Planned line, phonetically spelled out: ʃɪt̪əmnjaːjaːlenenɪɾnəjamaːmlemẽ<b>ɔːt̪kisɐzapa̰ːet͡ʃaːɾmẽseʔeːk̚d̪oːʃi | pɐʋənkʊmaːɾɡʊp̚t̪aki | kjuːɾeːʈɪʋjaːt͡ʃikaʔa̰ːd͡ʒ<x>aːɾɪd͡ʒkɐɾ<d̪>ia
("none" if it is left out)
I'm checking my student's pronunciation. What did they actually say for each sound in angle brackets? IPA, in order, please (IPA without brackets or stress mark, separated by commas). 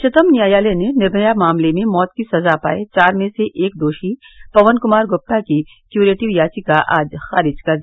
m, x, d̪